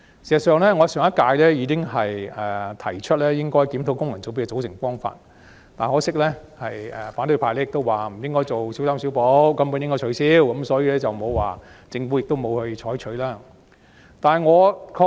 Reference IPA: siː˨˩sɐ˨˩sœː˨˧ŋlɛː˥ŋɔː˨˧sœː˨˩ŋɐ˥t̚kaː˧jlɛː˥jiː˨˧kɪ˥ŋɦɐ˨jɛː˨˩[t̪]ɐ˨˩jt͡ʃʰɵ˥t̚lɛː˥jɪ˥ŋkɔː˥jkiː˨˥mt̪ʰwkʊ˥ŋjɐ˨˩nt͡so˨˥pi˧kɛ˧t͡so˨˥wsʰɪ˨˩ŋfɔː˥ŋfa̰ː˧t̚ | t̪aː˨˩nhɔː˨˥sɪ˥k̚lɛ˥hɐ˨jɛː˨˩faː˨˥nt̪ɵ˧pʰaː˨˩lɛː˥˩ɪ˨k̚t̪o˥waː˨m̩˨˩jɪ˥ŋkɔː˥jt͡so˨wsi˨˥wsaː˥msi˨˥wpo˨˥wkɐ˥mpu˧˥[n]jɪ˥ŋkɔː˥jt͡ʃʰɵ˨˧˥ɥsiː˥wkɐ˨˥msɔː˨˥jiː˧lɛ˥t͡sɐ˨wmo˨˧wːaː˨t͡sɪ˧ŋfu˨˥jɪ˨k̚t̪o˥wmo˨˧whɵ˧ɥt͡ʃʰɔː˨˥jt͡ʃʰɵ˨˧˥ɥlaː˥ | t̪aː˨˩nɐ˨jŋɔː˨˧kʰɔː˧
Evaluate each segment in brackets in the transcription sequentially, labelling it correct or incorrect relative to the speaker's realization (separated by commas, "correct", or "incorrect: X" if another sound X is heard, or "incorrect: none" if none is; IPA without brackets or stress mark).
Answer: incorrect: t̪ʰ, correct